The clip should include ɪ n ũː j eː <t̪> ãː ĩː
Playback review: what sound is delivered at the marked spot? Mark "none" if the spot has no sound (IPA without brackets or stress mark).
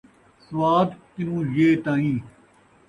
t̪